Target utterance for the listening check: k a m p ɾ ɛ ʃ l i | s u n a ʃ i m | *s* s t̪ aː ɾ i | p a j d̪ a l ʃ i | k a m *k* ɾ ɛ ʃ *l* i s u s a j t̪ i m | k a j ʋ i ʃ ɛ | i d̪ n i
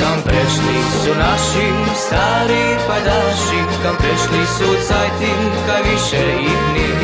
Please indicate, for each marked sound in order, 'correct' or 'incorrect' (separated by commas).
correct, incorrect, correct